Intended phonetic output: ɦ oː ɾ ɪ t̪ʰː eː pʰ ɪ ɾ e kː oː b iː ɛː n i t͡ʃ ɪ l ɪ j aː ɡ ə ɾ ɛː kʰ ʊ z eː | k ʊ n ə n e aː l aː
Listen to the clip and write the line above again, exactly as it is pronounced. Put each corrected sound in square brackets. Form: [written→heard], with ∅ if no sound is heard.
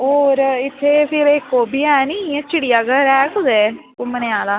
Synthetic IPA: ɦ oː ɾ ɪ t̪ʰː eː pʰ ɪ ɾ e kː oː b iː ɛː n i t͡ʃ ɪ [l→ɽ] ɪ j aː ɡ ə ɾ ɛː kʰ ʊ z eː | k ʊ [n→m] ə n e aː l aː